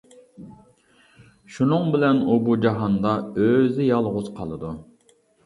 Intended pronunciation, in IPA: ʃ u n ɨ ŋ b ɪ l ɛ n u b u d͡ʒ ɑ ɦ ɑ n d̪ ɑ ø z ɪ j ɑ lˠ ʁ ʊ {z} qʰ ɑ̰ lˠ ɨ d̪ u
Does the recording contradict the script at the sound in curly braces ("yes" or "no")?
no